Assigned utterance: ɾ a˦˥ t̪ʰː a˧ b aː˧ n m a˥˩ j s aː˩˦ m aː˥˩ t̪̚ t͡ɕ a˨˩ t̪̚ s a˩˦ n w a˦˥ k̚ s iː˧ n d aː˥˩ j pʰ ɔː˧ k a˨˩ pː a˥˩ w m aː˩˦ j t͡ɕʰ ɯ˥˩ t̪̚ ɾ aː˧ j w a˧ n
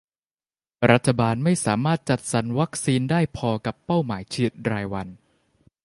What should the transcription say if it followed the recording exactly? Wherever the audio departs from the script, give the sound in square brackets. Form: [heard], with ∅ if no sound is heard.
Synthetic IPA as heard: ɾ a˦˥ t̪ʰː a˧ b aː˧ n m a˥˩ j s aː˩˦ m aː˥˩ t̪̚ t͡ɕ a˨˩ t̪̚ s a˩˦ n w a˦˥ k̚ s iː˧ n d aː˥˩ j pʰ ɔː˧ k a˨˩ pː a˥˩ w m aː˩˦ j t͡ɕʰ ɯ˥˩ t̪̚ ɾ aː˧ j w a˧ n